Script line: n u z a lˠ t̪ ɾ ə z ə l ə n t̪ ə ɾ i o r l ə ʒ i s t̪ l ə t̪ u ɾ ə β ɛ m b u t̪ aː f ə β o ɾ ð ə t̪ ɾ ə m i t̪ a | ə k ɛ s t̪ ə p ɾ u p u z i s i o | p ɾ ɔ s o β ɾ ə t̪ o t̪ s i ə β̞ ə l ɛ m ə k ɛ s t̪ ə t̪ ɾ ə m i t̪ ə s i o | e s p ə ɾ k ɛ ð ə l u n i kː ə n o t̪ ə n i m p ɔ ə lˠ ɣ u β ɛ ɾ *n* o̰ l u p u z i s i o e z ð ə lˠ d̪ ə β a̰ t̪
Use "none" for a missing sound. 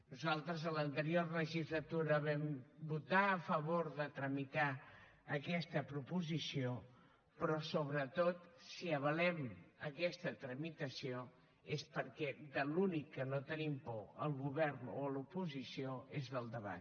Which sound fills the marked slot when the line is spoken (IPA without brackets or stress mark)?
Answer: n